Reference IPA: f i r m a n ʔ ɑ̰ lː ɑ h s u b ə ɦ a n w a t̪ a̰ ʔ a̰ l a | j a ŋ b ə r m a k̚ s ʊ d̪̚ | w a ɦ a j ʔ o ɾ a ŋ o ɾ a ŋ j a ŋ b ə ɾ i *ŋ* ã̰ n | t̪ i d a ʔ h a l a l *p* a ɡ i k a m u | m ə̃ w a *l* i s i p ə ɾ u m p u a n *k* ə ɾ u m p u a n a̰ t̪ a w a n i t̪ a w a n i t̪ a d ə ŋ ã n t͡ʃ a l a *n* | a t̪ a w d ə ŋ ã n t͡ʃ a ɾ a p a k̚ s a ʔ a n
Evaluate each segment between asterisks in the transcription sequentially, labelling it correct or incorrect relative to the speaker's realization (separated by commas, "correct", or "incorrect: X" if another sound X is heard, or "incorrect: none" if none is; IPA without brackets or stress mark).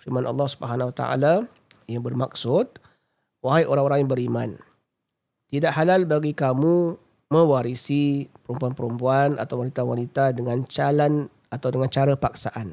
incorrect: m, incorrect: b, incorrect: ɾ, incorrect: p, correct